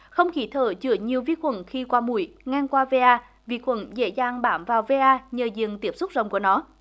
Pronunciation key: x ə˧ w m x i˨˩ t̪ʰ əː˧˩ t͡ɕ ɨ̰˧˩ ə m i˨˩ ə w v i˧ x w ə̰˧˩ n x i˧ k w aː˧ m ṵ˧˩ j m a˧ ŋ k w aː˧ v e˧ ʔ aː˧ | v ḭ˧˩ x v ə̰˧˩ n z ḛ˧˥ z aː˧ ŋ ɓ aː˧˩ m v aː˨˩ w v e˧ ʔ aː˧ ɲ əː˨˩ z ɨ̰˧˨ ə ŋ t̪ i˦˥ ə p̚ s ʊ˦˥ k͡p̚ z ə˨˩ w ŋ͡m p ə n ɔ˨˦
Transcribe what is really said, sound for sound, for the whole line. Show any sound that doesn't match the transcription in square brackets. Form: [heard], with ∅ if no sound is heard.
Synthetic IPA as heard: x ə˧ w [ŋ͡m] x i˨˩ t̪ʰ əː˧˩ t͡ɕ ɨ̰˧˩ ə [ɲ] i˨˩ ə w v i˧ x w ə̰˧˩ n x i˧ k w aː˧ m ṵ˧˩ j [ŋ] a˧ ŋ k w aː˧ v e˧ ʔ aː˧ | v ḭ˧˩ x [w] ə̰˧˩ n z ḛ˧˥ z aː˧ ŋ ɓ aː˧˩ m v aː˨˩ w v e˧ ʔ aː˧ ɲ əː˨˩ z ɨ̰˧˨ ə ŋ t̪ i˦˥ ə p̚ s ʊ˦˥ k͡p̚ z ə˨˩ w ŋ͡m [k] ə n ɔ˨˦